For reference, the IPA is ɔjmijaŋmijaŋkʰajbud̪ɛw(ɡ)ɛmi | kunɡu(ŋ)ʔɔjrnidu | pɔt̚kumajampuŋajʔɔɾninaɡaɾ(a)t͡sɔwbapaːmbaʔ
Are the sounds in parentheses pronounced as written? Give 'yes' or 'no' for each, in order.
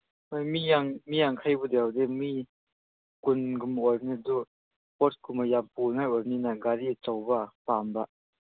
no, no, no

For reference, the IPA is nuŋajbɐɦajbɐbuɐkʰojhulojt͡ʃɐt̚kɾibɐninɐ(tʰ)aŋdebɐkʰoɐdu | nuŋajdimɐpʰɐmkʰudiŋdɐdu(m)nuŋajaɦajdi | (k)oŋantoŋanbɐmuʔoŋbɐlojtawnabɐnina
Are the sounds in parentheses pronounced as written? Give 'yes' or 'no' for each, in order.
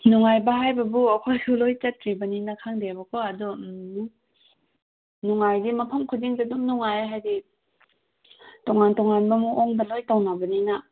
no, yes, no

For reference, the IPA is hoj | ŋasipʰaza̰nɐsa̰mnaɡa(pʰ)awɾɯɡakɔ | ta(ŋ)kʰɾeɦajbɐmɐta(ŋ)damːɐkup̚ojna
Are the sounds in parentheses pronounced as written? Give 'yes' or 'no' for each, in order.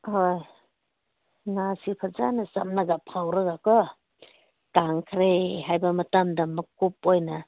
yes, yes, no

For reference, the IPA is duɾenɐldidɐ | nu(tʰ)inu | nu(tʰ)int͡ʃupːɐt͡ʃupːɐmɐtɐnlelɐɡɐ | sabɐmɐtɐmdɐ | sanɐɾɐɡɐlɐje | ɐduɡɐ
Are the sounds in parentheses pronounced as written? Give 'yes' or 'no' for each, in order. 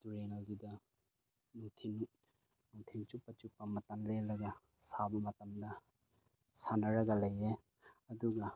yes, yes

